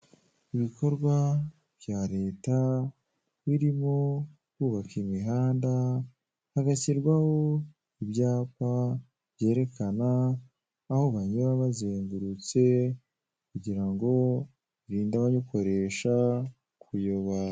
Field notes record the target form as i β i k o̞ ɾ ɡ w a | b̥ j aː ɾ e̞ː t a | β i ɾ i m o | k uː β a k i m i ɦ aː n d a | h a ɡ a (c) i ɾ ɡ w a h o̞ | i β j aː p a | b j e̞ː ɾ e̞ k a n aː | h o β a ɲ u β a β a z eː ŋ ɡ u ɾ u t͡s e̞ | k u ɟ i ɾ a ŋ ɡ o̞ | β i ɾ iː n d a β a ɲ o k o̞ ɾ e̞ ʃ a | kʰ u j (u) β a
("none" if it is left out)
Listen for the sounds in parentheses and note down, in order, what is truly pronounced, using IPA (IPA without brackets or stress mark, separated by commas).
c, o